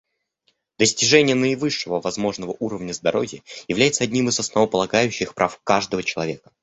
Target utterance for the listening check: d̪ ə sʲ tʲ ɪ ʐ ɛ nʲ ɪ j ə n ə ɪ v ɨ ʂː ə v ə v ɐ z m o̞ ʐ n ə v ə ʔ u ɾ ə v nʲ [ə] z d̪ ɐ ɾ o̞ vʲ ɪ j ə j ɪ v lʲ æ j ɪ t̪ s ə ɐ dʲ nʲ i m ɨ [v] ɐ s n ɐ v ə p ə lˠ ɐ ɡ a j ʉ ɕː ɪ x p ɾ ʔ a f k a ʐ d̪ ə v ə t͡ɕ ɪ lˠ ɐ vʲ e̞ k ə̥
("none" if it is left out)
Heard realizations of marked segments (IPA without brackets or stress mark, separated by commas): ə, z